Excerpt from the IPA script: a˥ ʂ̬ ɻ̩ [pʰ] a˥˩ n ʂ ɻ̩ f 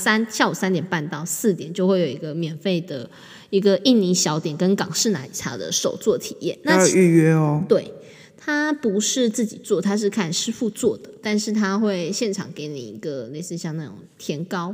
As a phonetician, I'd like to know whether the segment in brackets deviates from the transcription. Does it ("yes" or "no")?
yes